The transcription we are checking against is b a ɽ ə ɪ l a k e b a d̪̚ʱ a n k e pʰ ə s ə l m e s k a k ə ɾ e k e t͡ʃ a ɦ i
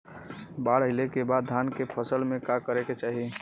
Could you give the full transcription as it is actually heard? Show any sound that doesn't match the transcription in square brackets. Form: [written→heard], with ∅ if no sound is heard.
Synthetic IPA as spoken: b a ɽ ə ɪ l [a→e] k e b a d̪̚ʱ a n k e pʰ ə s ə l m e [s→∅] k a k ə ɾ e k e t͡ʃ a ɦ i